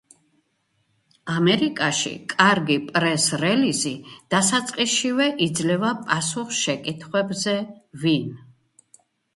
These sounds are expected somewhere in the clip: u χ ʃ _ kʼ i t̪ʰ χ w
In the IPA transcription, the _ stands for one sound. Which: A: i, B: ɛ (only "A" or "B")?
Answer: B